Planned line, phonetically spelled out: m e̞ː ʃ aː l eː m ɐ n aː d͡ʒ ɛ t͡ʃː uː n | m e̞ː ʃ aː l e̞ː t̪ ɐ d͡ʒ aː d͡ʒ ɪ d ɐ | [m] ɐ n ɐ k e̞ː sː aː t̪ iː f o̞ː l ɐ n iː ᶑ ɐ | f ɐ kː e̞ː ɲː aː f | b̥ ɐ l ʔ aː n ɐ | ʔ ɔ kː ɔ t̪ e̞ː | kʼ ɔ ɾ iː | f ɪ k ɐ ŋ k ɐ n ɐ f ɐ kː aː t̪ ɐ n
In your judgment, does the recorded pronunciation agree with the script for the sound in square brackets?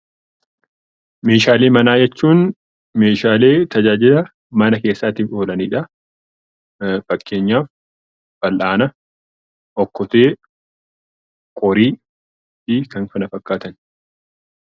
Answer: yes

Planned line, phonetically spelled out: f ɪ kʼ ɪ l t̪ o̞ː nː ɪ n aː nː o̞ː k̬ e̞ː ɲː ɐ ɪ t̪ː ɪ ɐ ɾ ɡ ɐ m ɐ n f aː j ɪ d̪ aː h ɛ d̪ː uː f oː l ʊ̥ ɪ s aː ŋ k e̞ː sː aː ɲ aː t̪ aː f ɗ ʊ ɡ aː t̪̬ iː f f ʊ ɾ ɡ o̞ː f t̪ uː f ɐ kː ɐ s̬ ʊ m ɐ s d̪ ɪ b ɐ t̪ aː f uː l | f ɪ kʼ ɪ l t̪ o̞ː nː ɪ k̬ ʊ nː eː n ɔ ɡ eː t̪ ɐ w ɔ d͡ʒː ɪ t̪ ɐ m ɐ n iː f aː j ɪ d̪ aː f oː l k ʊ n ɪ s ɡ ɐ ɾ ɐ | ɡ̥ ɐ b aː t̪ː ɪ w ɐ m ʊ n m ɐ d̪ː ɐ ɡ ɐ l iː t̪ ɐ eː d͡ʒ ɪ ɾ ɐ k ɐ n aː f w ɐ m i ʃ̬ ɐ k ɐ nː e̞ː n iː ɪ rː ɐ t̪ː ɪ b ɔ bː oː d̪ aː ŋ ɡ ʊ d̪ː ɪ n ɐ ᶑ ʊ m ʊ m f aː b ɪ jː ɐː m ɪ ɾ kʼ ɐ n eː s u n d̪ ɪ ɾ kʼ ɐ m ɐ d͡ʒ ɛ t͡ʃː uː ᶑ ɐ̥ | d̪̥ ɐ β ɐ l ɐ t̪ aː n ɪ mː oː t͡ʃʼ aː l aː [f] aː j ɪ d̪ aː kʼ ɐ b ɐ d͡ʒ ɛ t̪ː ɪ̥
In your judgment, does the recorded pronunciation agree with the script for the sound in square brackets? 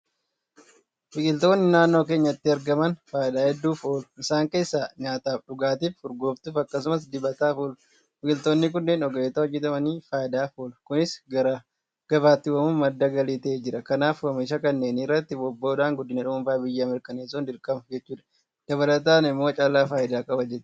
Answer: yes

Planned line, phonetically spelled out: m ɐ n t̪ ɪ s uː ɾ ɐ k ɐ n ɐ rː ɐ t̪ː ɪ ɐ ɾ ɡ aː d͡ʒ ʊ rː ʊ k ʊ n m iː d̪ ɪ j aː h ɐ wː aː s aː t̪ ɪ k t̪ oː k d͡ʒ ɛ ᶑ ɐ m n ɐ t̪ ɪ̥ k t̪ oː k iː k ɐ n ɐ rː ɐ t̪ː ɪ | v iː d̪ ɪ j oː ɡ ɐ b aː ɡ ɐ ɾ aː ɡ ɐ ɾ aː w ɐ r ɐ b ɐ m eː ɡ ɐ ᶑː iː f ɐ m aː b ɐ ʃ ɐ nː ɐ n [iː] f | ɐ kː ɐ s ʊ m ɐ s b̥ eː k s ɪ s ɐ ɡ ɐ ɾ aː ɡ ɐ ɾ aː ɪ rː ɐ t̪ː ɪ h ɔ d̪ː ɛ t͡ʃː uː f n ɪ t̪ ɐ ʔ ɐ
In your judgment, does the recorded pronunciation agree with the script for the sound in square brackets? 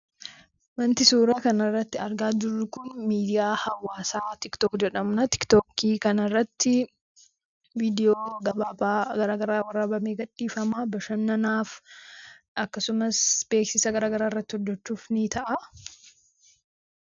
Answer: no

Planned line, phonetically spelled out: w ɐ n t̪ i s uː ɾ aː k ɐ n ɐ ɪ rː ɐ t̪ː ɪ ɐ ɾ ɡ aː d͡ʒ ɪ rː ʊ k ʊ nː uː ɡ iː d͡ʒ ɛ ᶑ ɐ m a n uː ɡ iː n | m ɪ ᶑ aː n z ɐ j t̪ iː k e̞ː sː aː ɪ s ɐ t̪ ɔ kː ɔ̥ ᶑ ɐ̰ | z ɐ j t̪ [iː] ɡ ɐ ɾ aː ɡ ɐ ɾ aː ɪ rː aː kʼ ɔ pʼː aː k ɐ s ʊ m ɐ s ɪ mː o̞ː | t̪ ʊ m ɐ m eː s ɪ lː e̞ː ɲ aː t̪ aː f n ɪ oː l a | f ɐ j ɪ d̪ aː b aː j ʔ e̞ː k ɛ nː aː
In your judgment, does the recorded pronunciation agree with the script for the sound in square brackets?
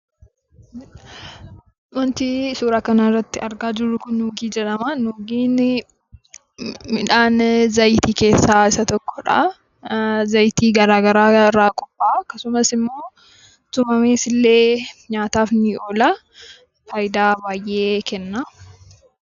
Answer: yes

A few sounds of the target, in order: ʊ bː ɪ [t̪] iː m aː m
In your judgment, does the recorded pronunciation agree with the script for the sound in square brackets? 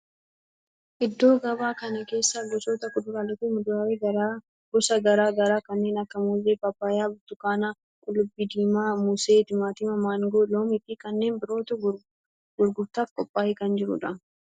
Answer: no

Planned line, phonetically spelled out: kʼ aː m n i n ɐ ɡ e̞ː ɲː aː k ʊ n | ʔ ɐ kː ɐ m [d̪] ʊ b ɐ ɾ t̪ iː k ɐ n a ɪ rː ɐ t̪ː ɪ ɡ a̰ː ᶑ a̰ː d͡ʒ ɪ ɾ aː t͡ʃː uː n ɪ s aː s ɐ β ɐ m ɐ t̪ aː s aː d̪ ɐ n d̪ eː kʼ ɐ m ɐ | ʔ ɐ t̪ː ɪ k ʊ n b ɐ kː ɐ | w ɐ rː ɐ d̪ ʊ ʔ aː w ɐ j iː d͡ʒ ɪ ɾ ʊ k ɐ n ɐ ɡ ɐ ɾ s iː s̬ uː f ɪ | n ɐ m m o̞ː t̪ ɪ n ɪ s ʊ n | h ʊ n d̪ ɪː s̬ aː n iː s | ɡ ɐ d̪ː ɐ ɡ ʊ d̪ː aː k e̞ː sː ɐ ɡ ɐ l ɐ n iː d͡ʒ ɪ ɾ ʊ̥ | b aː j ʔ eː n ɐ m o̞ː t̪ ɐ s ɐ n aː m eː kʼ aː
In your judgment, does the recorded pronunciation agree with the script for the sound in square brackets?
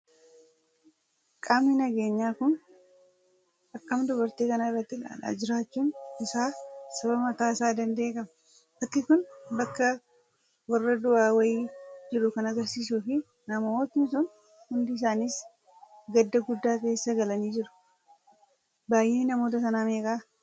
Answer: yes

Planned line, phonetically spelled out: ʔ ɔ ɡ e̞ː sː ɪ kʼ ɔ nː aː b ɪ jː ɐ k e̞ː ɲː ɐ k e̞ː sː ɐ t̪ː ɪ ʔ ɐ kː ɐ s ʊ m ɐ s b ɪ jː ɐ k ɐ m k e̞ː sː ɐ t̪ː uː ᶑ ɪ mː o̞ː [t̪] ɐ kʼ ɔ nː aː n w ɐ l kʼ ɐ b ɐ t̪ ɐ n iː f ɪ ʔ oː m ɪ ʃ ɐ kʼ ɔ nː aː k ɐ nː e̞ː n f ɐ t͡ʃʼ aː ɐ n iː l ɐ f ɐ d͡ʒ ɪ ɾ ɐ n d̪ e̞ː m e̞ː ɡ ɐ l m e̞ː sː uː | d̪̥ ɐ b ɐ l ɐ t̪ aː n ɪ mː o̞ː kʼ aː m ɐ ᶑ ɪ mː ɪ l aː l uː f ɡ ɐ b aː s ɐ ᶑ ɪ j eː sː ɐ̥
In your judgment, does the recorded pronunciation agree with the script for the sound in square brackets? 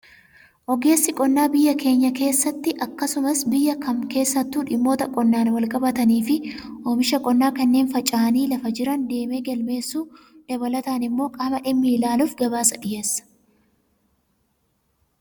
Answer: yes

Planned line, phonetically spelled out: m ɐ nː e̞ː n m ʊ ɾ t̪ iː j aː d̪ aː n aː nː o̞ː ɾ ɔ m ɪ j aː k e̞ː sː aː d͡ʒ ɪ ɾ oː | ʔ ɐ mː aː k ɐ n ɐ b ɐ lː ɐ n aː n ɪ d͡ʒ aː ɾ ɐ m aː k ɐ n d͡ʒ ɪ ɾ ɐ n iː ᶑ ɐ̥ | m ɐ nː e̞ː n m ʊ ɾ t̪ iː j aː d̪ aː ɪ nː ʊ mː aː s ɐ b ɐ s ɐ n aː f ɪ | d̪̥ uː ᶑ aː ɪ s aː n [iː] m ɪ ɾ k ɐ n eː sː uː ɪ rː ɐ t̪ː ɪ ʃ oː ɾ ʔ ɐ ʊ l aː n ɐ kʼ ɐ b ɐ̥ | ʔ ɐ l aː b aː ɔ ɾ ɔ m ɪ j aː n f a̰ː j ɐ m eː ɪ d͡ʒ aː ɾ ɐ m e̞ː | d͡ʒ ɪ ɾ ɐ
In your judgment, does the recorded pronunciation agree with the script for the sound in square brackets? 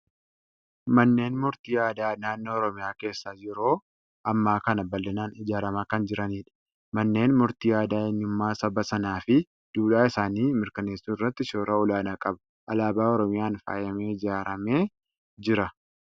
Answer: yes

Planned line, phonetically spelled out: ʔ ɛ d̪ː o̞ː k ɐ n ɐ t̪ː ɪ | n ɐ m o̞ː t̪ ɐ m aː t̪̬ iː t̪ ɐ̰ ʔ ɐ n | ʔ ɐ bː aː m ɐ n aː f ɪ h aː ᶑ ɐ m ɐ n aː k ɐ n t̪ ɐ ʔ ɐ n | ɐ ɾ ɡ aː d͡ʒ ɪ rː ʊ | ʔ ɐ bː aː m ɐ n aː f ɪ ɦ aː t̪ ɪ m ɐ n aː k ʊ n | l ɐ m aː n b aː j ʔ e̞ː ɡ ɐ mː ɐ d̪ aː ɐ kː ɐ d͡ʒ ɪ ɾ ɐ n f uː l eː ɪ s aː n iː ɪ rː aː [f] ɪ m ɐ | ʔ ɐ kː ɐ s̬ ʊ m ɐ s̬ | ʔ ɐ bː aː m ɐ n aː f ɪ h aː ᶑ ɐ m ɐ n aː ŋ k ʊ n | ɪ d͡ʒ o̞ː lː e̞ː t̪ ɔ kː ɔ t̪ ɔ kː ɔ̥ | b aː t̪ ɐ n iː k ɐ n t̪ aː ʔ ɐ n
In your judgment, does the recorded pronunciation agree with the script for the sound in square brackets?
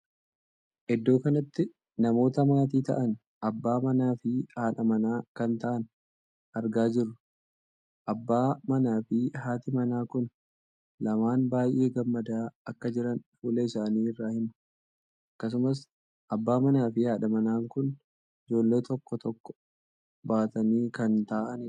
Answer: no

